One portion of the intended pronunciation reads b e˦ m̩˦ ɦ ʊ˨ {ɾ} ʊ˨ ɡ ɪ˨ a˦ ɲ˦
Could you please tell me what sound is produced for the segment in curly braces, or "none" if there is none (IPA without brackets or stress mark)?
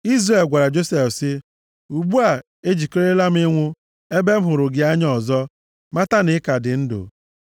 ɾ